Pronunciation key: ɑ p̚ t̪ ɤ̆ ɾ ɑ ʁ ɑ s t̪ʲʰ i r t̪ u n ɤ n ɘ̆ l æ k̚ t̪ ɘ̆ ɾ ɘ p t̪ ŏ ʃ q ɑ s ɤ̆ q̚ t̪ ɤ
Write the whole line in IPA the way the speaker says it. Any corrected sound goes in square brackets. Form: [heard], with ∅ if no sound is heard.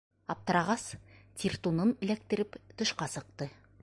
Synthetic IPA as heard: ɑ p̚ t̪ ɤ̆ ɾ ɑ ʁ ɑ s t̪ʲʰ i r t̪ u n ɤ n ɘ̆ l æ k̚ t̪ ɘ̆ ɾ ɘ p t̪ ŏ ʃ q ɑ s ɤ̆ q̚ t̪ ɤ